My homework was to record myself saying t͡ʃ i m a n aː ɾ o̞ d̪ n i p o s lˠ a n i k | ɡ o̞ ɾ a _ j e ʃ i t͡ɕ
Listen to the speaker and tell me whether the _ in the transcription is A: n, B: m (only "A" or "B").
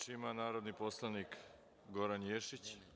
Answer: A